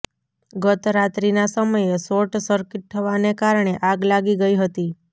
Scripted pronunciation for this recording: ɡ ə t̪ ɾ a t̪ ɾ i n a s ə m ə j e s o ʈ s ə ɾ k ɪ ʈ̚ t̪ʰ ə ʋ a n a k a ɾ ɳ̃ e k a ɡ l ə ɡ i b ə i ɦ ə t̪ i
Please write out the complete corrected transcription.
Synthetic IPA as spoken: ɡ ə t̪ ɾ a t̪ ɾ i n a s ə m ə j e s o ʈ s ə ɾ k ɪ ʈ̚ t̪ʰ ə ʋ a n e k a ɾ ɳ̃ e ʔ a ɡ l a ɡ i ɡ ə i ɦ ə t̪ i